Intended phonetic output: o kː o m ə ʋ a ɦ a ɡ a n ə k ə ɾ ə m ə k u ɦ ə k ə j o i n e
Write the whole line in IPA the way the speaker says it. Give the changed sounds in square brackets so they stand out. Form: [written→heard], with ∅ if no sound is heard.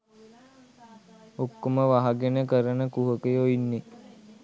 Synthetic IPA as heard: o kː o m ə ʋ a ɦ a ɡ [a→e] n ə k ə ɾ ə [m→n] ə k u ɦ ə k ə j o i [n→nː] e